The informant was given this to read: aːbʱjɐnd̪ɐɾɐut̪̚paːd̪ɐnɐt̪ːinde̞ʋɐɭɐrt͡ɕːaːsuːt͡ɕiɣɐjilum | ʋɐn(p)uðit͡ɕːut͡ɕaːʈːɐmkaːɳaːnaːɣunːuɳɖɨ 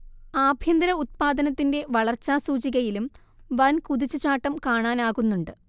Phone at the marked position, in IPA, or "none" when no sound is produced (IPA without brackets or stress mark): k